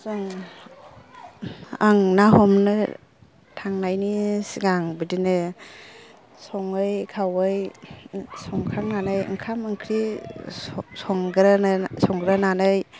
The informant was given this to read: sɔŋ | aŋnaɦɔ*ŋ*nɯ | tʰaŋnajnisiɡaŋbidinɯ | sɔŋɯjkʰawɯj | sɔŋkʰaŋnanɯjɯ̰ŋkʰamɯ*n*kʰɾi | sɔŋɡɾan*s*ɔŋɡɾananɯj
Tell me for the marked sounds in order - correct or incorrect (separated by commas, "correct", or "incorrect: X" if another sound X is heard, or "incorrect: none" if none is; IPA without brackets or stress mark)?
incorrect: m, incorrect: ŋ, correct